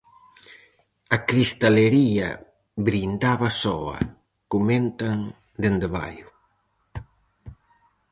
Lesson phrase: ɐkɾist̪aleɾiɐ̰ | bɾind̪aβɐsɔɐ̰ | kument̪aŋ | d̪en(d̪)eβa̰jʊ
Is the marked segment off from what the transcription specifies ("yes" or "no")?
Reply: no